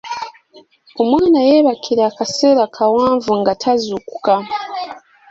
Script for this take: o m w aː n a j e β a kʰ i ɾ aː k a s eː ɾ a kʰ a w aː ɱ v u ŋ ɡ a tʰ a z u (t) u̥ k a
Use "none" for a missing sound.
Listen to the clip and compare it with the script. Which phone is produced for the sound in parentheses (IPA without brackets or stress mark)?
k